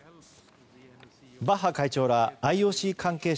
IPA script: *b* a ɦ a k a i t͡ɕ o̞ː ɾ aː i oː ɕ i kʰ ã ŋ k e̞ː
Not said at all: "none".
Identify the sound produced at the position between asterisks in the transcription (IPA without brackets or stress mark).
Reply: b